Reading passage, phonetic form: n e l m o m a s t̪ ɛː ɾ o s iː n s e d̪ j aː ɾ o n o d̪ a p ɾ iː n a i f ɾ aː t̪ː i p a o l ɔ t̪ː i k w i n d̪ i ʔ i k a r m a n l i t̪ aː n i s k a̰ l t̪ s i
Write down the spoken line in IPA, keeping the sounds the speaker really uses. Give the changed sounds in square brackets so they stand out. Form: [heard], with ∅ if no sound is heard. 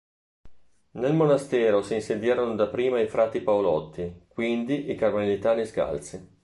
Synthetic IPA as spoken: n e l m o [n] a s t̪ ɛː ɾ o s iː n s e d̪ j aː ɾ o n o d̪ a p ɾ iː [m] a i f ɾ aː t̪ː i p a o l ɔ t̪ː i k w i n d̪ i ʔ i k a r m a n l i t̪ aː n i s k a̰ l t̪ s i